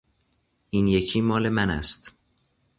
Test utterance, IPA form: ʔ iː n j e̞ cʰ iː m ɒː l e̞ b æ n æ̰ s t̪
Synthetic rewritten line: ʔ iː n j e̞ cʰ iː m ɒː l e̞ m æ n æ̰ s t̪